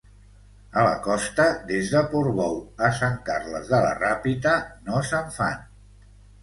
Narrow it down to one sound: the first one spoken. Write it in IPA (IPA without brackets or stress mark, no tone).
ə